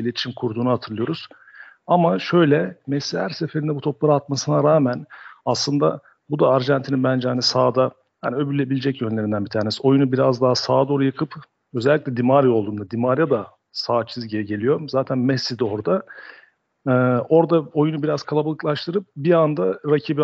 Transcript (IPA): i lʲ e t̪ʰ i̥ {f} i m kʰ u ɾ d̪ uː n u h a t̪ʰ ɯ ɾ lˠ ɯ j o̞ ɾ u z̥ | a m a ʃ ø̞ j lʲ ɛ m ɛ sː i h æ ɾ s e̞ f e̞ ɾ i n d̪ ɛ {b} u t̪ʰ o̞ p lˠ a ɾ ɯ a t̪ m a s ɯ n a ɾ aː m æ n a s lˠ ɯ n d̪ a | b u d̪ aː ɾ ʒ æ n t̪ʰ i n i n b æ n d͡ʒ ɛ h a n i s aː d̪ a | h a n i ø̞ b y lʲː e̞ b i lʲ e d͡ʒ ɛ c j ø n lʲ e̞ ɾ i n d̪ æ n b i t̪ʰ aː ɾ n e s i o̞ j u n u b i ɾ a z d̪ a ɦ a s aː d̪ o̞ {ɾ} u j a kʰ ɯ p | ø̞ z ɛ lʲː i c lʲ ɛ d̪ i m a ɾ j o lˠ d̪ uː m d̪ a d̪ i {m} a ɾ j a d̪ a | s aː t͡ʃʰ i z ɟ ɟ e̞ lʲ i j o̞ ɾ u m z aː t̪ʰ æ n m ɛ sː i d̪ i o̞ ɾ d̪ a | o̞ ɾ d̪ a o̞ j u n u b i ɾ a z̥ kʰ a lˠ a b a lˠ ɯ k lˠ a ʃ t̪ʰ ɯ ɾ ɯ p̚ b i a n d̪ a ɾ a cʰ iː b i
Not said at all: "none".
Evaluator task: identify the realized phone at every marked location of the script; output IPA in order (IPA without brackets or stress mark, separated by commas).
ʃ, b, ɾ, m